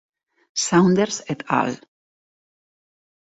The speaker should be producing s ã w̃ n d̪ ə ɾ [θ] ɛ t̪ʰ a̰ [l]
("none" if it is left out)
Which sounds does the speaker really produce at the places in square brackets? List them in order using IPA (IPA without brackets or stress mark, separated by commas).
s, l